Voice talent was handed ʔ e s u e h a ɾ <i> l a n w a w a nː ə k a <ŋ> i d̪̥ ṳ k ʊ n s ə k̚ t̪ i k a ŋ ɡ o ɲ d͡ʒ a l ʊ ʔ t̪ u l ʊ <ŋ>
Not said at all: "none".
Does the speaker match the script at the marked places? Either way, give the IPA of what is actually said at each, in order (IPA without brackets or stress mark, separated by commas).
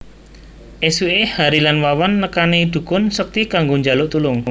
i, n, ŋ